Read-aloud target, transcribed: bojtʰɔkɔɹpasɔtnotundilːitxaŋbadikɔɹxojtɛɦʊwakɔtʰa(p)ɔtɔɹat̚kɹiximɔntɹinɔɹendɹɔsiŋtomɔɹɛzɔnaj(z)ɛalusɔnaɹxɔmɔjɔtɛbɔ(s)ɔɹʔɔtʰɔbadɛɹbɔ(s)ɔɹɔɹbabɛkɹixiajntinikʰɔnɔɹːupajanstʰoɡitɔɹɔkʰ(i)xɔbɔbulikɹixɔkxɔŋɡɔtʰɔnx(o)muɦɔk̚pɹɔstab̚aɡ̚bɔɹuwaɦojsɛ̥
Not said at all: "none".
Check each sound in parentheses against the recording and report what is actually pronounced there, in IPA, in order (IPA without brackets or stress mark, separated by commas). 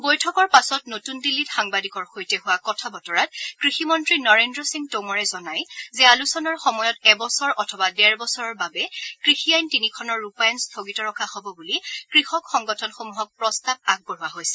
b, z, s, s, a, o